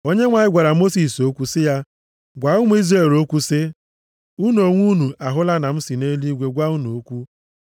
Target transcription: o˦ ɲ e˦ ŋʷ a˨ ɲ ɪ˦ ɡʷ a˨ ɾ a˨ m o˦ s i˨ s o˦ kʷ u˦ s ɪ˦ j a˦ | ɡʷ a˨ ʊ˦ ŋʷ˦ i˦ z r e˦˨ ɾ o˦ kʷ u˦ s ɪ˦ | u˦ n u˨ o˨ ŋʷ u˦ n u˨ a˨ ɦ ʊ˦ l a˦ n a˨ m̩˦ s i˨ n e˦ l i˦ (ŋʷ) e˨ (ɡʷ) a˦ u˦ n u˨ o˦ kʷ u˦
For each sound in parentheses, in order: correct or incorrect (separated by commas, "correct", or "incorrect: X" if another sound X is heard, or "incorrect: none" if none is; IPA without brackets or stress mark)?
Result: incorrect: ɡʷ, correct